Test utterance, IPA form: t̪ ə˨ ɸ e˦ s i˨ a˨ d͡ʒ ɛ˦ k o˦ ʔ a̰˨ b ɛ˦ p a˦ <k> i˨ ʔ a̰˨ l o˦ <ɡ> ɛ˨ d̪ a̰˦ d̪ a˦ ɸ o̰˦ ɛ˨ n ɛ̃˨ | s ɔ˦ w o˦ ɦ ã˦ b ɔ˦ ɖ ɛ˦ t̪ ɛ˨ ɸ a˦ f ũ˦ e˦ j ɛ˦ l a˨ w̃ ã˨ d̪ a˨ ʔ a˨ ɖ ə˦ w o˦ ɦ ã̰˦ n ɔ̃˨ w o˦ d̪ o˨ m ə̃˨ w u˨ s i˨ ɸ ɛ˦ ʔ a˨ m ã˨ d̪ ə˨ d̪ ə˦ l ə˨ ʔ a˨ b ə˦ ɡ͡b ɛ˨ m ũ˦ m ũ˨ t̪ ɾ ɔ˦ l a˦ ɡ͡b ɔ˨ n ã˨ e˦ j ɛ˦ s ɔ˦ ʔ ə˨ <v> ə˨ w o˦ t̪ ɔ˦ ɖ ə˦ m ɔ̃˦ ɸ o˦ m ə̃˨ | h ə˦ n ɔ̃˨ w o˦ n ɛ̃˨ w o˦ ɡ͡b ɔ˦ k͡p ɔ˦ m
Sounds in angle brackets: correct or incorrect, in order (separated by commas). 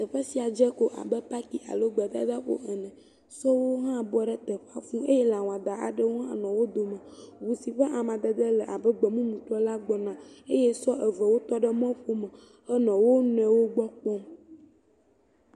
correct, incorrect, correct